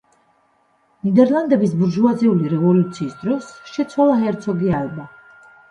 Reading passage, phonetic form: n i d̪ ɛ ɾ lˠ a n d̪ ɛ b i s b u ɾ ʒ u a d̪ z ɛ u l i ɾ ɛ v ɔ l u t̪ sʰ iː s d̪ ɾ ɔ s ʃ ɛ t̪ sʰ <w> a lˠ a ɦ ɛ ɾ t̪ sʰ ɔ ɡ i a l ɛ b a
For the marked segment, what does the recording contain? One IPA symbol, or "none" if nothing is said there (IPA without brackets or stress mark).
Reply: w